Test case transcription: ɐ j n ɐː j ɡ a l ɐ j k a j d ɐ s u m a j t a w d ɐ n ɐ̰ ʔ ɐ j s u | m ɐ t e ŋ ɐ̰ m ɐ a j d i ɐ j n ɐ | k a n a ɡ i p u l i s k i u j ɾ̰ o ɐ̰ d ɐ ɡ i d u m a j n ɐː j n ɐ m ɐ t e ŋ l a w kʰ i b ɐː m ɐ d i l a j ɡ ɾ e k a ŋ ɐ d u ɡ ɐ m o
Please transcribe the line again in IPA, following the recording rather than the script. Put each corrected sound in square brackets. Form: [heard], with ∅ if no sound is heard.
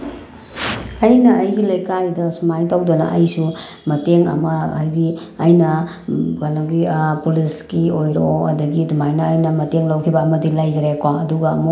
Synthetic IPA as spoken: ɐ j n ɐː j ɡ [i] l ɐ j k a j d ɐ s u m a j t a w d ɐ n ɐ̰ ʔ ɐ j s u | m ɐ t e ŋ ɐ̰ m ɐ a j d i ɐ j n ɐ | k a n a ɡ i p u l i s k i [o] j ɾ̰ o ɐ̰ d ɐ ɡ i d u m a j n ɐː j n ɐ m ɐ t e ŋ l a w kʰ i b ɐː m ɐ d i l a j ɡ ɾ e k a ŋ ɐ d u ɡ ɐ m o